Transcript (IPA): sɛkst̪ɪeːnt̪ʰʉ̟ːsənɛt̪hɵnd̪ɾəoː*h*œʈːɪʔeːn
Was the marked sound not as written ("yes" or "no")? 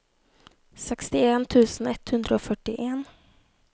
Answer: yes